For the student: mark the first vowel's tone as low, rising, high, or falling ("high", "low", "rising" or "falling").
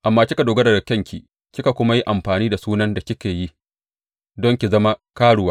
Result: low